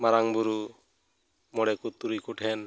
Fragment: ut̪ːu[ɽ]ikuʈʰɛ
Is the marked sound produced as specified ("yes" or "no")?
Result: no